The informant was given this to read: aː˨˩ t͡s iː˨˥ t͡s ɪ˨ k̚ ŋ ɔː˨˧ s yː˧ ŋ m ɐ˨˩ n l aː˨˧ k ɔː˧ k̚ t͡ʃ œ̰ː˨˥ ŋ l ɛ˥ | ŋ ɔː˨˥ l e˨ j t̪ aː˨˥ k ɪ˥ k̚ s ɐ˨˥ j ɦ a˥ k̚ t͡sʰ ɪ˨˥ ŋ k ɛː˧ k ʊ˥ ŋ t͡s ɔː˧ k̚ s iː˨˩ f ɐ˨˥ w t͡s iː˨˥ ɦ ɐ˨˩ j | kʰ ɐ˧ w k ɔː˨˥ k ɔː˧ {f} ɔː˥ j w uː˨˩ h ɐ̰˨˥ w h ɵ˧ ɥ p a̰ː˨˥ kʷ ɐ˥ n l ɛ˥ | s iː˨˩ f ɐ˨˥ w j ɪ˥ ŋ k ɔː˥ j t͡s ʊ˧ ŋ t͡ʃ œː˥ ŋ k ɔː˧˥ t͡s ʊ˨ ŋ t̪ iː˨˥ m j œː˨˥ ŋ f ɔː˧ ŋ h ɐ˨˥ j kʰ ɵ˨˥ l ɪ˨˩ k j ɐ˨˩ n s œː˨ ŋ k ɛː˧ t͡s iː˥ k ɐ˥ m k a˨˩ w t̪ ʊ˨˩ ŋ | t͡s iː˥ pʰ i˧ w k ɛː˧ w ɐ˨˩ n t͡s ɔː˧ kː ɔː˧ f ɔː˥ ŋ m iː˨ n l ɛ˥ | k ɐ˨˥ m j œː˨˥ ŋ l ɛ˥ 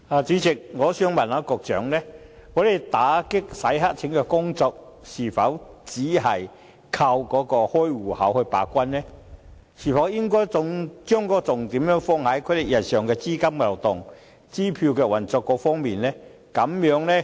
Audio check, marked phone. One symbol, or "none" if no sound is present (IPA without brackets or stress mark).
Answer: h